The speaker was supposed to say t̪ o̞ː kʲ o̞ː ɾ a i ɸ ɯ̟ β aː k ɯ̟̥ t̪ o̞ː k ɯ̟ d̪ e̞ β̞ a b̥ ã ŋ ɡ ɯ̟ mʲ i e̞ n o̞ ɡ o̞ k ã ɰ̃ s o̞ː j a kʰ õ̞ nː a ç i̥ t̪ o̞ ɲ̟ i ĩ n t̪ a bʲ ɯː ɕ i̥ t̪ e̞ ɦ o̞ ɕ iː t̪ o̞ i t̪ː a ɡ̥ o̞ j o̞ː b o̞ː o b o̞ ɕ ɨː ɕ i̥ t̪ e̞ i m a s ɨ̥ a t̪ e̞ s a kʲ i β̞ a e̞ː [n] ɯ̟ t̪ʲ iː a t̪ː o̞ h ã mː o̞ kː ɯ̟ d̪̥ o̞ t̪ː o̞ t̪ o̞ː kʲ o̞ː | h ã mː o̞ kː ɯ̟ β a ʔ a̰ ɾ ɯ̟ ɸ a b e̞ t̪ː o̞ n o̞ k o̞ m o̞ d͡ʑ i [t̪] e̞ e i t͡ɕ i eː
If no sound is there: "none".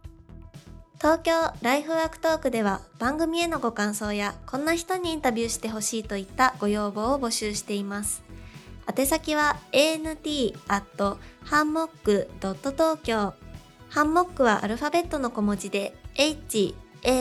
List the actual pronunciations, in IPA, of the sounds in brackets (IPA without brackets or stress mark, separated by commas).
n, d̪